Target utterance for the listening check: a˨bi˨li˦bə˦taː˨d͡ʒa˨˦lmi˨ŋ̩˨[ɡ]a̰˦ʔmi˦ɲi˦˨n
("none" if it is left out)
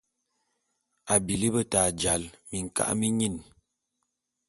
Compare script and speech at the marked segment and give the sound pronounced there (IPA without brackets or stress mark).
k